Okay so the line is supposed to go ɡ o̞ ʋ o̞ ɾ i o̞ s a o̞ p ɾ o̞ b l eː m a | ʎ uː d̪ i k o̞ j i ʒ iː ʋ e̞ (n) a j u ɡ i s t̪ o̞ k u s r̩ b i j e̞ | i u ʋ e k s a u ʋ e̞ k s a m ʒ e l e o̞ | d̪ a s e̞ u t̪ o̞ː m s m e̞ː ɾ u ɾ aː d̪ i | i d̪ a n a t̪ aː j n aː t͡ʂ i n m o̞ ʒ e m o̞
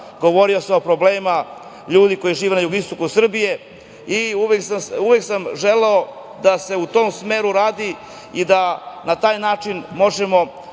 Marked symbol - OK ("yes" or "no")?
yes